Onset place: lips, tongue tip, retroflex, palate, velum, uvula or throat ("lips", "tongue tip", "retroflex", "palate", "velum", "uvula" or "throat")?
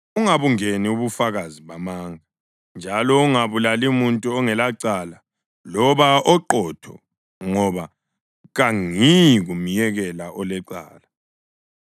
velum